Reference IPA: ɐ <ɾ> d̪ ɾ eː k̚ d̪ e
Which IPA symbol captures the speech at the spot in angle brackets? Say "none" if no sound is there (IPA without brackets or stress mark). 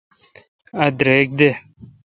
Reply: none